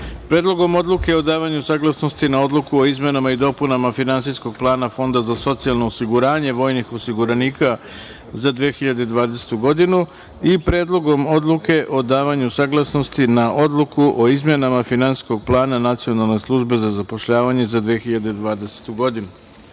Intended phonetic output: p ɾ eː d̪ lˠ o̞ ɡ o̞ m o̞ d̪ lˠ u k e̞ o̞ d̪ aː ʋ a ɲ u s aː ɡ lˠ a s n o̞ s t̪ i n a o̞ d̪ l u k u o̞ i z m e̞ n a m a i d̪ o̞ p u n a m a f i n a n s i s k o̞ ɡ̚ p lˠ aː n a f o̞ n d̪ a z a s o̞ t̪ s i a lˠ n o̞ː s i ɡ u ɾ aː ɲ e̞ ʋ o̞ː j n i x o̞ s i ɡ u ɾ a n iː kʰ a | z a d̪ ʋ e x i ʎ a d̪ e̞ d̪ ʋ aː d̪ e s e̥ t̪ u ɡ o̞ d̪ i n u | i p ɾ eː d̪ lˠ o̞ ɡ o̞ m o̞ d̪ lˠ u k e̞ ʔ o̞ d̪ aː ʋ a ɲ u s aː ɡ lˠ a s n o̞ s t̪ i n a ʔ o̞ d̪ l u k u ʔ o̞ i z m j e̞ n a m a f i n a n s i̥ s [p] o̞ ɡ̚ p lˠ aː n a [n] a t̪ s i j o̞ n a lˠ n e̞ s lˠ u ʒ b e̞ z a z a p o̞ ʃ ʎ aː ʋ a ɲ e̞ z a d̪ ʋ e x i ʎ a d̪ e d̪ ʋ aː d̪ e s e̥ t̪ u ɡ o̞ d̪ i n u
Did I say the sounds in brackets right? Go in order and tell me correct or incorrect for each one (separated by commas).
incorrect, correct